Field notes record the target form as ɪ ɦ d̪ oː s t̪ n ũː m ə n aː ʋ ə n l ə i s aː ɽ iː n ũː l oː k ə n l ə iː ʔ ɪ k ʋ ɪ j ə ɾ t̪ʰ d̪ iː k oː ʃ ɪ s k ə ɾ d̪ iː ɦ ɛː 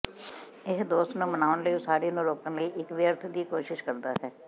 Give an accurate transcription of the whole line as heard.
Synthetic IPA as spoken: ɪ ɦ d̪ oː s t̪ n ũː m ə n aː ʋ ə n l ə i s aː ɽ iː n ũː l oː k ə n l ə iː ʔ ɪ k ʋ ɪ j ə ɾ t̪ʰ d̪ iː k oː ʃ ɪ ʃ k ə ɾ d̪ aː ɦ ɛː